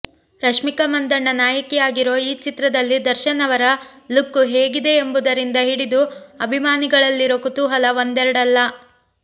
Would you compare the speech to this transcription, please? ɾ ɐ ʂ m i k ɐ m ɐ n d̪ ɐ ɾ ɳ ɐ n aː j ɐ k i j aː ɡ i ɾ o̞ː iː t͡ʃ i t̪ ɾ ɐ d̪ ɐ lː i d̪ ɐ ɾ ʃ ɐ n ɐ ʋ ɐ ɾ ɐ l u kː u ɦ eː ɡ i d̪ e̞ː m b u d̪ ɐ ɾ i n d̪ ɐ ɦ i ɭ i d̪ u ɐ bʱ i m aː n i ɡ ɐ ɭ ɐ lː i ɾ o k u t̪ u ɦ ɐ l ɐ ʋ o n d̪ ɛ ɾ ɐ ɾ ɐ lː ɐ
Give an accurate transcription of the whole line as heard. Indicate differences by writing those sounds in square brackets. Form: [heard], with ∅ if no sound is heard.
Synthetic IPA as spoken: ɾ ɐ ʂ m i k ɐ m ɐ n d̪ ɐ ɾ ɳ ɐ n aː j ɐ k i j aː ɡ i ɾ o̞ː iː t͡ʃ i t̪ ɾ ɐ d̪ ɐ lː i d̪ ɐ ɾ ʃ ɐ n ɐ ʋ ɐ ɾ ɐ l u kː u ɦ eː ɡ i d̪ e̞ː m b u d̪ ɐ ɾ i n d̪ ɐ ɦ i [ɽ] i d̪ u ɐ bʱ i m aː n i ɡ ɐ ɭ ɐ lː i ɾ o k u t̪ u ɦ ɐ l ɐ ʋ o n d̪ ɛ ɾ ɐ [ɽ] ɐ lː ɐ